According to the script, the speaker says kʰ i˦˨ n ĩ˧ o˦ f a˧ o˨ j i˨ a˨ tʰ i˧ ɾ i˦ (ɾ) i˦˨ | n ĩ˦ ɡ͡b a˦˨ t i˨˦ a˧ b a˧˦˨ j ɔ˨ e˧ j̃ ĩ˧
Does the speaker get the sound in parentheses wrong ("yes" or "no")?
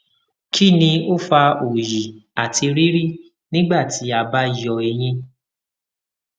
no